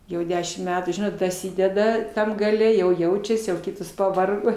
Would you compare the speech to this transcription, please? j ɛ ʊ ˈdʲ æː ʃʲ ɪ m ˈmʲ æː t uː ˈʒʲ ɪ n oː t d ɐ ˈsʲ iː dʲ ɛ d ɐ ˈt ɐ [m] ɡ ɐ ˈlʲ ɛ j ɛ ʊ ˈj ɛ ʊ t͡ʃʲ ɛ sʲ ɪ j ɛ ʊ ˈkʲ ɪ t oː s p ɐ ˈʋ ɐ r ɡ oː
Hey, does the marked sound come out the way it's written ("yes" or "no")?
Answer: yes